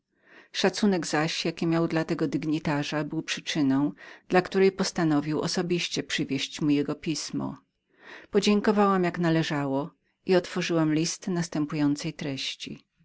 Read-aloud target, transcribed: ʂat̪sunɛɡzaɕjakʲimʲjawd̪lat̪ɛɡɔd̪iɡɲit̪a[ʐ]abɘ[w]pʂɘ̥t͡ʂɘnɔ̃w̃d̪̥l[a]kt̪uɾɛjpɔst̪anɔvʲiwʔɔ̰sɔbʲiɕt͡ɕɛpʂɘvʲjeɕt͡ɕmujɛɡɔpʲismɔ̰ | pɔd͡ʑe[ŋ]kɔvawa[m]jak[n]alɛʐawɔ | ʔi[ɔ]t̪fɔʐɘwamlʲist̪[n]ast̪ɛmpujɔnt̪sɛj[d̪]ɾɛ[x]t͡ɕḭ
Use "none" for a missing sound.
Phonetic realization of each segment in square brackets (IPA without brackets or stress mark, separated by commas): ʐ, w, a, ŋ, m, n, ɔ, n, t̪, ɕ